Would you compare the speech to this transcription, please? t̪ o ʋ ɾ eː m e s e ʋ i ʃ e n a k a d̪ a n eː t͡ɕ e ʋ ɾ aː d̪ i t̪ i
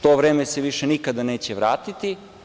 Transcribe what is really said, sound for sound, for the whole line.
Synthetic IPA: t̪ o ʋ ɾ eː m e s e ʋ i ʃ e n i k a d̪ a n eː t͡ɕ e ʋ ɾ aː t̪ i t̪ i